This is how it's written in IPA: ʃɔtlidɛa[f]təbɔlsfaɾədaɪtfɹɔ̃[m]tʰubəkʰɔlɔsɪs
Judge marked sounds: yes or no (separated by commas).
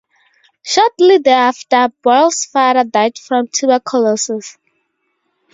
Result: yes, yes